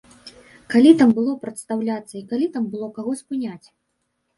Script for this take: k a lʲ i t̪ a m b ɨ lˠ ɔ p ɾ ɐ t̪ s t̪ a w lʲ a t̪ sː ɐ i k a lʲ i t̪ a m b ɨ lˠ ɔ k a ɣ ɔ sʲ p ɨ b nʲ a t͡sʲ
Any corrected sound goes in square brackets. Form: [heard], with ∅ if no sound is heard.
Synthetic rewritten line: k a lʲ i t̪ a m b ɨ lˠ ɔ p ɾ ɐ t̪ s t̪ a w lʲ a t̪ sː ɐ i k a lʲ i t̪ a m b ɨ lˠ ɔ k a ɣ ɔ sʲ p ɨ [∅] nʲ a t͡sʲ